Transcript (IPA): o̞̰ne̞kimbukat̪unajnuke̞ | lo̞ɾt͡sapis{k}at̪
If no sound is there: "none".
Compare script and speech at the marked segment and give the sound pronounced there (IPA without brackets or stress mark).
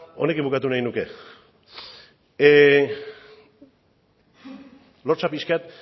k